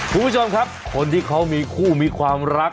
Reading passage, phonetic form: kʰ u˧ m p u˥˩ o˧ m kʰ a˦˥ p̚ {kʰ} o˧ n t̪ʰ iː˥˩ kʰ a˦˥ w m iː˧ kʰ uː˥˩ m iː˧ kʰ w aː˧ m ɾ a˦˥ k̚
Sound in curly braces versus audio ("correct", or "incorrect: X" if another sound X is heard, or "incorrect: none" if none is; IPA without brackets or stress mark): correct